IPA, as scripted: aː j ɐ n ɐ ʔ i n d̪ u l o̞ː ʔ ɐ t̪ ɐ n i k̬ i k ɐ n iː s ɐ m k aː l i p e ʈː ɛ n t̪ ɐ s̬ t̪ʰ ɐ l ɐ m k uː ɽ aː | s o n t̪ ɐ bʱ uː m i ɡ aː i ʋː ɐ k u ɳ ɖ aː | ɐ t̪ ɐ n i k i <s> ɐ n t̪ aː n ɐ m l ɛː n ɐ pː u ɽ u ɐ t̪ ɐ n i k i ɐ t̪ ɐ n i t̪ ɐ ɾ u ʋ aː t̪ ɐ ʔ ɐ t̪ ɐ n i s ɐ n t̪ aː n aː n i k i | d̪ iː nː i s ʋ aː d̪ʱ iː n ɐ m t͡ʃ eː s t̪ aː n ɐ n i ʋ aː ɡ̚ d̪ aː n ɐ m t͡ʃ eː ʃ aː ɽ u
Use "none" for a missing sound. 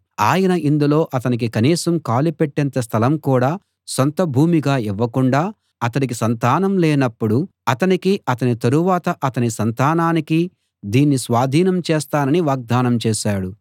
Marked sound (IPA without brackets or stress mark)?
s